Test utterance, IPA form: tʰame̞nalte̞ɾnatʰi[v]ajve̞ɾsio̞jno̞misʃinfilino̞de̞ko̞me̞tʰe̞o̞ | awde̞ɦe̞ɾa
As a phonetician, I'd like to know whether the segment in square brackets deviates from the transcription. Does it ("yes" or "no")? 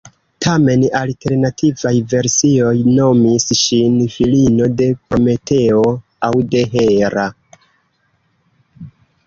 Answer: no